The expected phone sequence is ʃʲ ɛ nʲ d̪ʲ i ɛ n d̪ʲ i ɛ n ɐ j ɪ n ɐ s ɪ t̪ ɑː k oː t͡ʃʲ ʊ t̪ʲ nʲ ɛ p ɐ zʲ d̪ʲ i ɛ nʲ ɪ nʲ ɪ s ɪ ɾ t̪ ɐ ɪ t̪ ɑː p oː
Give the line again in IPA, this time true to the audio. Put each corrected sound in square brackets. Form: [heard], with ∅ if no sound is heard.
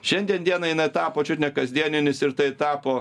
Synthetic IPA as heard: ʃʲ ɛ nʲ d̪ʲ i ɛ n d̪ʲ i ɛ n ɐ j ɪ n ɐ [∅] ɪ t̪ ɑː [p] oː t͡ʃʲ ʊ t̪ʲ nʲ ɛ [k] ɐ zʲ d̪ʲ i ɛ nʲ ɪ nʲ ɪ s ɪ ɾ t̪ ɐ ɪ t̪ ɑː p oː